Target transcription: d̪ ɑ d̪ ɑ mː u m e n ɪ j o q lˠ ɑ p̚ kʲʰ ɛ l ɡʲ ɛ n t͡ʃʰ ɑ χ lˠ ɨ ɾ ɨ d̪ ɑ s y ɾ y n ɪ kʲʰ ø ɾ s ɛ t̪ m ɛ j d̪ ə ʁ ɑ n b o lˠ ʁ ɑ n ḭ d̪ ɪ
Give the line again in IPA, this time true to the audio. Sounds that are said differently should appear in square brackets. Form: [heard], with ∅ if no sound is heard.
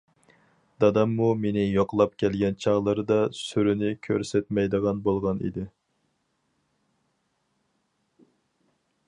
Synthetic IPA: d̪ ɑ d̪ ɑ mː u m e n ɪ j o q lˠ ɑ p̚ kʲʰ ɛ l ɡʲ ɛ n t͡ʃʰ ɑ [ʁ] lˠ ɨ ɾ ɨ d̪ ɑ s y ɾ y n ɪ kʲʰ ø ɾ s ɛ t̪ m ɛ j d̪ ə ʁ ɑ n b o lˠ ʁ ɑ n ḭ d̪ ɪ